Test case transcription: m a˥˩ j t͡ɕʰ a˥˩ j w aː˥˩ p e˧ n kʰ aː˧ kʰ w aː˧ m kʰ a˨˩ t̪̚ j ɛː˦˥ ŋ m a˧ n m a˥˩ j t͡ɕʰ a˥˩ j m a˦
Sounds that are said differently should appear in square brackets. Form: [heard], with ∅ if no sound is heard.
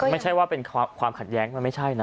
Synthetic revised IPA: m a˥˩ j t͡ɕʰ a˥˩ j w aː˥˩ p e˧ n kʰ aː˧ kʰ w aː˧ m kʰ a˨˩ t̪̚ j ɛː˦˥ ŋ m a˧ n m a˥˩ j t͡ɕʰ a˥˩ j [n] a˦

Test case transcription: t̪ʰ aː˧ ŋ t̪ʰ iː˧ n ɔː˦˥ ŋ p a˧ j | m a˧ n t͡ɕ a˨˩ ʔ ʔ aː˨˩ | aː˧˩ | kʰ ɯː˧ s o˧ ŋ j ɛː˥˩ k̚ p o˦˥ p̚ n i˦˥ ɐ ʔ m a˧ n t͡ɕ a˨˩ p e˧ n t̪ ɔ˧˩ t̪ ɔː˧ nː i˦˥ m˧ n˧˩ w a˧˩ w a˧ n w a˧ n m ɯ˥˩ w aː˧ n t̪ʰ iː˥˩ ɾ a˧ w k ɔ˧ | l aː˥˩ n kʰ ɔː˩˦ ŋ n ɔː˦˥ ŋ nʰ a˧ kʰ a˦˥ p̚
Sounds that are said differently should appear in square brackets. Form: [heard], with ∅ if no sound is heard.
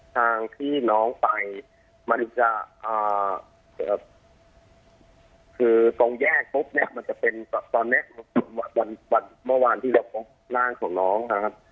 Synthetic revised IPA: t̪ʰ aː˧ ŋ t̪ʰ [iː˥˩] n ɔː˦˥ ŋ p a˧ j | m a˧ n t͡ɕ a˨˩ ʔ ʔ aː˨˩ | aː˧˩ | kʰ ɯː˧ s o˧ ŋ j ɛː˥˩ k̚ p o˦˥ p̚ n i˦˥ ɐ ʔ m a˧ n t͡ɕ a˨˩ p e˧ n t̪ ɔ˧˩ t̪ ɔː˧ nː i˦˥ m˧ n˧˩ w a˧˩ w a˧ n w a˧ n m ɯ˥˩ w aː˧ n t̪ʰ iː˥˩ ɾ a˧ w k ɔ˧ | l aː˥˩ [ŋ] kʰ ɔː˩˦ ŋ n ɔː˦˥ ŋ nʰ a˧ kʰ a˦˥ p̚

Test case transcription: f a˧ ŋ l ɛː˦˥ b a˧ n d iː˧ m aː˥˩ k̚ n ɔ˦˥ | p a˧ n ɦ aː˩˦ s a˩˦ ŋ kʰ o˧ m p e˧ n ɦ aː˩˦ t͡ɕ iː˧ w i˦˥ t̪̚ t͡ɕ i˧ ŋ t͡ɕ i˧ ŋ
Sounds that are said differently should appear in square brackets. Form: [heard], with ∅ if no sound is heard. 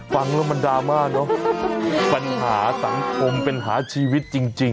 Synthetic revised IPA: f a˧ ŋ l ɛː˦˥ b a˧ n d [aː˧] m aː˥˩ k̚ n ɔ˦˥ | p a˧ n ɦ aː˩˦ s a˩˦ ŋ kʰ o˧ m p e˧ n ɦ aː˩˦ [t͡ɕʰ] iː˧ w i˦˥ t̪̚ t͡ɕ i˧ ŋ t͡ɕ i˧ ŋ

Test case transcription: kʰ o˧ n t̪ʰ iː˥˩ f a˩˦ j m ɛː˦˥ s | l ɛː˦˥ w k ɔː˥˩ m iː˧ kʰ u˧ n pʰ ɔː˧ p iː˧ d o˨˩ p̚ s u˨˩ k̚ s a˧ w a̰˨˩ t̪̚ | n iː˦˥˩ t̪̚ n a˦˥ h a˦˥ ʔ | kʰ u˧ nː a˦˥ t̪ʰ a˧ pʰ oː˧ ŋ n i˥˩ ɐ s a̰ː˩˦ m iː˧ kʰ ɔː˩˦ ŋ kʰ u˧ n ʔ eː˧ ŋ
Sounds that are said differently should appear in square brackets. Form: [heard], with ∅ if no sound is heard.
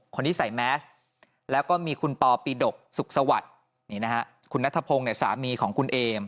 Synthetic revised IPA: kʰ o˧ n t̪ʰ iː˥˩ [s] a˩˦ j m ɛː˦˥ s | l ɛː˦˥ w k ɔː˥˩ m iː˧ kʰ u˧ n [p] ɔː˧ p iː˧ d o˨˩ [k̚] s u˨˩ k̚ s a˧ w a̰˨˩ t̪̚ | n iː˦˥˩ [∅] n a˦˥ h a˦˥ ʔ | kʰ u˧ nː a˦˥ t̪ʰ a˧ pʰ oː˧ ŋ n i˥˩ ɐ s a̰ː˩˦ m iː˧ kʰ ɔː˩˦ ŋ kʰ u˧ n ʔ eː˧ [m]

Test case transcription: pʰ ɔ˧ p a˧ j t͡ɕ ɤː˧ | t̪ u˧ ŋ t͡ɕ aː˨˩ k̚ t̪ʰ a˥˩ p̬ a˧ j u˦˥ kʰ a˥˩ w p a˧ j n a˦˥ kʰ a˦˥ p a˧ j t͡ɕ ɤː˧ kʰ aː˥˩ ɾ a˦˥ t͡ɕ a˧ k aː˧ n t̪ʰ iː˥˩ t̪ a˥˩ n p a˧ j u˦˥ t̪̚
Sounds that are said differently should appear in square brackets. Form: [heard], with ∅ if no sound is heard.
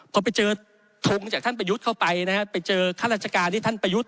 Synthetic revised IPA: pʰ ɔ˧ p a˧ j t͡ɕ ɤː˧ | [t̪ʰ] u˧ ŋ t͡ɕ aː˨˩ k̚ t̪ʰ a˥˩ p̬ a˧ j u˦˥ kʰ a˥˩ w p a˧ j n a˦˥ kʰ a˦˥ p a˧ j t͡ɕ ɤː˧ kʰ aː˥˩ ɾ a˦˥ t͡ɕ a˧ k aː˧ n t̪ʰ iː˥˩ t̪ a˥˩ n p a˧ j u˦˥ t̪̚

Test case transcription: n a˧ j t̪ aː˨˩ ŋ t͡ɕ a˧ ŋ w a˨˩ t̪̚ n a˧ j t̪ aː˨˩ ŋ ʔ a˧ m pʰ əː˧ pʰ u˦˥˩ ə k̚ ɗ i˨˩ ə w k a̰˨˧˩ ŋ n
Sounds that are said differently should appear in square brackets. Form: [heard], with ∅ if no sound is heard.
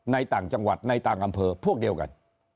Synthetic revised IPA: n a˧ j t̪ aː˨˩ ŋ t͡ɕ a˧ ŋ w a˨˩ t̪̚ n a˧ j t̪ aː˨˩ ŋ ʔ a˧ m pʰ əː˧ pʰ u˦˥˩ ə k̚ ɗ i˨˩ ə w k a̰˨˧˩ [∅] n

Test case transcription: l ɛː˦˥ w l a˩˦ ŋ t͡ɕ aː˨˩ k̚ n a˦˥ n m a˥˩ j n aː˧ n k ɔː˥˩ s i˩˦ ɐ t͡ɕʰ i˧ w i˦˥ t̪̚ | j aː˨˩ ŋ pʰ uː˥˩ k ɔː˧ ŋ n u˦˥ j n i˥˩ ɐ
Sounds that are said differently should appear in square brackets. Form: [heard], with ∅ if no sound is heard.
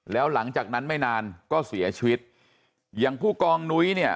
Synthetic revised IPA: l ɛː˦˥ w l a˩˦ ŋ t͡ɕ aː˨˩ k̚ n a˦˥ n m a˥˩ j n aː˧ n k ɔː˥˩ s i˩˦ ɐ t͡ɕʰ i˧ w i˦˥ t̪̚ | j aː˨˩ ŋ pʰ uː˥˩ k ɔː˧ ŋ n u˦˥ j n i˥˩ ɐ

